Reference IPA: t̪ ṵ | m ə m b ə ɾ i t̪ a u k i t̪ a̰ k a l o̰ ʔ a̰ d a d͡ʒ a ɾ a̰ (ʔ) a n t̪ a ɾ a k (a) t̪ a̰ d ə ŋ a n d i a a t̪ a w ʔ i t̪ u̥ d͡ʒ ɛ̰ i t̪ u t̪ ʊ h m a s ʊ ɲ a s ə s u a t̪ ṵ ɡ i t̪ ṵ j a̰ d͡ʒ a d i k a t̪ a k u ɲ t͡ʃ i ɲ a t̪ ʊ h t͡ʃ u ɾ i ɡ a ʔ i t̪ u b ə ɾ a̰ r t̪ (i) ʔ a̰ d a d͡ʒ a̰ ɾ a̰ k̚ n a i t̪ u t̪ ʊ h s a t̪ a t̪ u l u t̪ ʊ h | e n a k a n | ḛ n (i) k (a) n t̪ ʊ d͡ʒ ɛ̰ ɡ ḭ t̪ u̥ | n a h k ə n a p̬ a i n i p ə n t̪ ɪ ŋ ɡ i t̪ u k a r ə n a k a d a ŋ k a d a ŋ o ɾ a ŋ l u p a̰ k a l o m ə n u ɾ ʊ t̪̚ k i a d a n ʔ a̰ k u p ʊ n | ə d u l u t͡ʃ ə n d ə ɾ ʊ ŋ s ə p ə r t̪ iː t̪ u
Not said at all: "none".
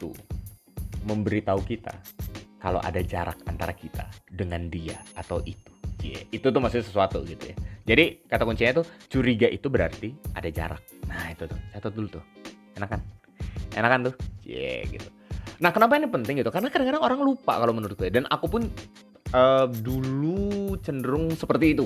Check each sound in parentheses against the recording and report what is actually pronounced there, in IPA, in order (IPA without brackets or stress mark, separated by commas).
k, i, i, a, a